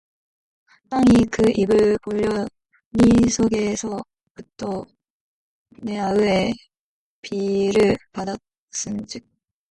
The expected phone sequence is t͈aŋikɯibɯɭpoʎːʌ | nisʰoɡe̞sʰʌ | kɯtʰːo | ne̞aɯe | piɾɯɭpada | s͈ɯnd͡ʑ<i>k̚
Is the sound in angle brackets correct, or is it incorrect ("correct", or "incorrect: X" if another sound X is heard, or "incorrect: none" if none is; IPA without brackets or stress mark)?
correct